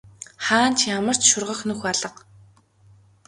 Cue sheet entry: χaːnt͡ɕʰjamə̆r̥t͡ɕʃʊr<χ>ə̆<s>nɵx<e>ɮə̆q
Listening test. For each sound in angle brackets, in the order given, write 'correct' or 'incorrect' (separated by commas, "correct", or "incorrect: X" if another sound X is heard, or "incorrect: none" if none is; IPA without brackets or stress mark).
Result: incorrect: ʁ, incorrect: x, incorrect: a